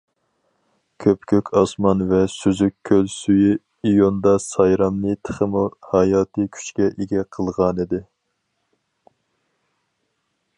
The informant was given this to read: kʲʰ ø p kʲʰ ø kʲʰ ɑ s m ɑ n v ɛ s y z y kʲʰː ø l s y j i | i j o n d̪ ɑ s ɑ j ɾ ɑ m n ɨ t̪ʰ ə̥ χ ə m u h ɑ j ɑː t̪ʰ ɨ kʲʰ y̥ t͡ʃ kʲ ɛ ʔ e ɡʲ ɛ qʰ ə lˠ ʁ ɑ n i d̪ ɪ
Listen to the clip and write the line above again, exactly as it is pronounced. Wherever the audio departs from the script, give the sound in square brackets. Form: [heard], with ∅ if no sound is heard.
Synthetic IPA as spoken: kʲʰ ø p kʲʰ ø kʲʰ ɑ s m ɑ n v ɛ s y z y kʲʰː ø l s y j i | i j o n d̪ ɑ s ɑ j ɾ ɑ m n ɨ t̪ʰ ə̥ χ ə m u h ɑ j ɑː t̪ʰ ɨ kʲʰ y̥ t͡ʃ kʲ ɛ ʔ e ɡʲ ɛ qʰ ə lˠ ʁ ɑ n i d̪ ɪ